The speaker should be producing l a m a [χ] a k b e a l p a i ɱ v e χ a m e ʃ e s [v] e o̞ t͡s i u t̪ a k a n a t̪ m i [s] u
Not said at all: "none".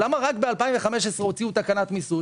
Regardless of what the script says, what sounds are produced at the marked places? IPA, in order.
ʁ, ʁ, s

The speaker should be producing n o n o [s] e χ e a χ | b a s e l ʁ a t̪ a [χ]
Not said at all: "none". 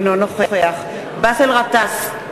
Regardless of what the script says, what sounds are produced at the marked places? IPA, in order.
χ, s

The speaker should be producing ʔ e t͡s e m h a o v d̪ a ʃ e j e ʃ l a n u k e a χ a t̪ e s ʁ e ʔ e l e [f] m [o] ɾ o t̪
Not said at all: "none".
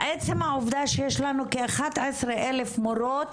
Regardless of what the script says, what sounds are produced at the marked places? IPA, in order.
f, o

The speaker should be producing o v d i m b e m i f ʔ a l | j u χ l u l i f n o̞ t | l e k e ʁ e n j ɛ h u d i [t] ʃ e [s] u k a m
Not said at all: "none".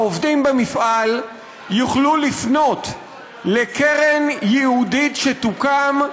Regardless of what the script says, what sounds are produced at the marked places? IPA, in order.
t, t

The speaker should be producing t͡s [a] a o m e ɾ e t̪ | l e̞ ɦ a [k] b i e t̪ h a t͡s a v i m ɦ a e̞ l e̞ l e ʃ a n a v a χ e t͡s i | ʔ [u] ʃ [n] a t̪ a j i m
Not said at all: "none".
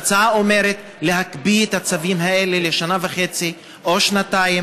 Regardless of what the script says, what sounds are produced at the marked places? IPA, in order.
a, k, o, n

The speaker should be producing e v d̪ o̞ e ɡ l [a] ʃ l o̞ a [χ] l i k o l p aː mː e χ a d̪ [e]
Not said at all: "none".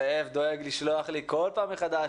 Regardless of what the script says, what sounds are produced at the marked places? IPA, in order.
i, χ, a

